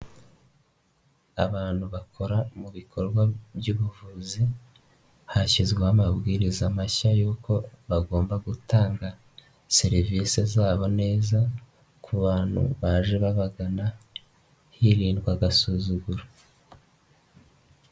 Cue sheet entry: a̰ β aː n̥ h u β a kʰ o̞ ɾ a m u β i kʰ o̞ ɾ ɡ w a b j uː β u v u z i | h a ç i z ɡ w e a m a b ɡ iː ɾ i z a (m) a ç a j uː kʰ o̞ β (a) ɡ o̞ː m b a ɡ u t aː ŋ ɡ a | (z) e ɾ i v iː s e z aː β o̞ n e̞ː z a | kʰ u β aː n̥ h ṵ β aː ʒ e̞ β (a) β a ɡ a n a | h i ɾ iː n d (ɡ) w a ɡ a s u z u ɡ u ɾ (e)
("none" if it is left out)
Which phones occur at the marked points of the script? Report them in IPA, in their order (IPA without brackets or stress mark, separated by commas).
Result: m, a, s, a, ɡ, a